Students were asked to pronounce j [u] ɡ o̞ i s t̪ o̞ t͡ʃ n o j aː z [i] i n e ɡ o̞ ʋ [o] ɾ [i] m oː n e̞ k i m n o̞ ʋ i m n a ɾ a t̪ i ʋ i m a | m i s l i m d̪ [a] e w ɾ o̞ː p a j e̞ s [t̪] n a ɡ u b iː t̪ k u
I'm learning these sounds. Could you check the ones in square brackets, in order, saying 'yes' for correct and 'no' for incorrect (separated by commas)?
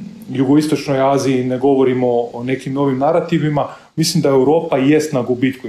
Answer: yes, yes, yes, yes, yes, yes